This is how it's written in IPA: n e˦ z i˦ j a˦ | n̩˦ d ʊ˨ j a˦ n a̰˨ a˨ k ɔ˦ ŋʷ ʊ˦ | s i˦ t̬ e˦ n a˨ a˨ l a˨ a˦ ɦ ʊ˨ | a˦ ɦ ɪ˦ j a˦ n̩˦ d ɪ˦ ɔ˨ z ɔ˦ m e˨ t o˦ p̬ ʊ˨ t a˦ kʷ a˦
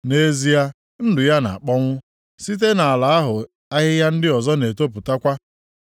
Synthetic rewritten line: n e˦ z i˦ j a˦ | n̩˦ d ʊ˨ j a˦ n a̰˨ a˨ k͡p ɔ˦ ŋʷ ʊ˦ | s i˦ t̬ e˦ n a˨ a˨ l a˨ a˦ ɦ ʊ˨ | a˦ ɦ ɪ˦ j a˦ n̩˦ d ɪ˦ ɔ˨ z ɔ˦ n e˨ t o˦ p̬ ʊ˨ t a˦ kʷ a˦